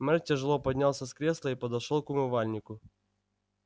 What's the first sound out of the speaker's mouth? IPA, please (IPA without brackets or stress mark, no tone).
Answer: m